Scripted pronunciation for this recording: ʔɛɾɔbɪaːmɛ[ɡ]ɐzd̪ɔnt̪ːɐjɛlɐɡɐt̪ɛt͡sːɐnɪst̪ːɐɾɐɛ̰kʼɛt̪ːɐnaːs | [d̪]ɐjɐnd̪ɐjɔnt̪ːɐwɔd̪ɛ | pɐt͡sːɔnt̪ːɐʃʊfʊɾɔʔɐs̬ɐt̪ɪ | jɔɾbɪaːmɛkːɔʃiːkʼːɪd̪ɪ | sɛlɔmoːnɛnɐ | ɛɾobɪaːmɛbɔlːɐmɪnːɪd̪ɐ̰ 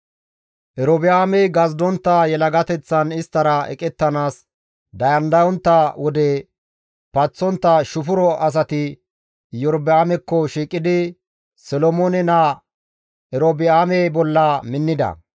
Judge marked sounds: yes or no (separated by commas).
yes, yes